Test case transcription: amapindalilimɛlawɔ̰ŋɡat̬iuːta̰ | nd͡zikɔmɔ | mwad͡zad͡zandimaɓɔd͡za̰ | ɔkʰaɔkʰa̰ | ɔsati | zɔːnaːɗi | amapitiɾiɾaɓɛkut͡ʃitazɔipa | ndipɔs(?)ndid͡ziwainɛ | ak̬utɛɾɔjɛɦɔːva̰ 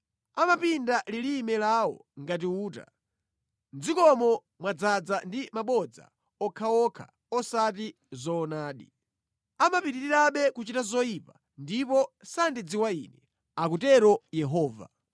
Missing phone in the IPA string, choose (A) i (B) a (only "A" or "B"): B